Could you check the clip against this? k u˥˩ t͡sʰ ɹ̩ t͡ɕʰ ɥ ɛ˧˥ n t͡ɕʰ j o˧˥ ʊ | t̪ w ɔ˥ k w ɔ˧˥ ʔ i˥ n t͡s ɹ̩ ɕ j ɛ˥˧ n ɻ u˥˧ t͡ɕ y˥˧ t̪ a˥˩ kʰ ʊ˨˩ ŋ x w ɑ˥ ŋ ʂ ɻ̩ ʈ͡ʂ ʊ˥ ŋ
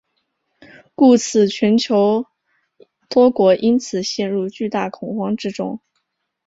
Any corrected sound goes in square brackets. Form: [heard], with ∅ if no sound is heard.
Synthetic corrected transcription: k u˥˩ t͡sʰ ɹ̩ t͡ɕʰ ɥ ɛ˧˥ n t͡ɕʰ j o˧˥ ʊ | t̪ w ɔ˥ k w ɔ˧˥ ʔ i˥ n [t͡sʰ] ɹ̩ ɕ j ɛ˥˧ n ɻ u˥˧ t͡ɕ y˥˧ t̪ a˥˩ kʰ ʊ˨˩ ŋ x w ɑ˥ ŋ [ʈ͡ʂ] ɻ̩ ʈ͡ʂ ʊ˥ ŋ